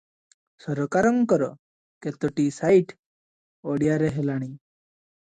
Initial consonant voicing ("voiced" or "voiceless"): voiceless